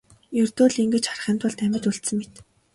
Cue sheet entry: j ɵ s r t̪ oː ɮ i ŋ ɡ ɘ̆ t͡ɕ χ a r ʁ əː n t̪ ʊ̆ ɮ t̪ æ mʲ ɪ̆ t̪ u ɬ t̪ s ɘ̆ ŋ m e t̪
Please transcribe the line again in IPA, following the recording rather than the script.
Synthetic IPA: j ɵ r t̪ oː ɮ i ŋ ɡ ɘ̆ t͡ɕ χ a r χ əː n t̪ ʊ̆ ɮ t̪ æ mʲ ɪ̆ t̪ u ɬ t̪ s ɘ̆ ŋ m e t̪